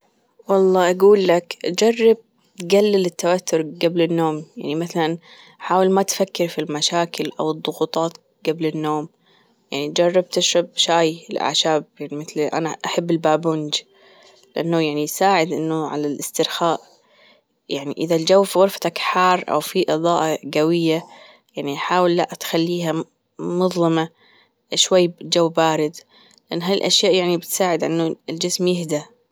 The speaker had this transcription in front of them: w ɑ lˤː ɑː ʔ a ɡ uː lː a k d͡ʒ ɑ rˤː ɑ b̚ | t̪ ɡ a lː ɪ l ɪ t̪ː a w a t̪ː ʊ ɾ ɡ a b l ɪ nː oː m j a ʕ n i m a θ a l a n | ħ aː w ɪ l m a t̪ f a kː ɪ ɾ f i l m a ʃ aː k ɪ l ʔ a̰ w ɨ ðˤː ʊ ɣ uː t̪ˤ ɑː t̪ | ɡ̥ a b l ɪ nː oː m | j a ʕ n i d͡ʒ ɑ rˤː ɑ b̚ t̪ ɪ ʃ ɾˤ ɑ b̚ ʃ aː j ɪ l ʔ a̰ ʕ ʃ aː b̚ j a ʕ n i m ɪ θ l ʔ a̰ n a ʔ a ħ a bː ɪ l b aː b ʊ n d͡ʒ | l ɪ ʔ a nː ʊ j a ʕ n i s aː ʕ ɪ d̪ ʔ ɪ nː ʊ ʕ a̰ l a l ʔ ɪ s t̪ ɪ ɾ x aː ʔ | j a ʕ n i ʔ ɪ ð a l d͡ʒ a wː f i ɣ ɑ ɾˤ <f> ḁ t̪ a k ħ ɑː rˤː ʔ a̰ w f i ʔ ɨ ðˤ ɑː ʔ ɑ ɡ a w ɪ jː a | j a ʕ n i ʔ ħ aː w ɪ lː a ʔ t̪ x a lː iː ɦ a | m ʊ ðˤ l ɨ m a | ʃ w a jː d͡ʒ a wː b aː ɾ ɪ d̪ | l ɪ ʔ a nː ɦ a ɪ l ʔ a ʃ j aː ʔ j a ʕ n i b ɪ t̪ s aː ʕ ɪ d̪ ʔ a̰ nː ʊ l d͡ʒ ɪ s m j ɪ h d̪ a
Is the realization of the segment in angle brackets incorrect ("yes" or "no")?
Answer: no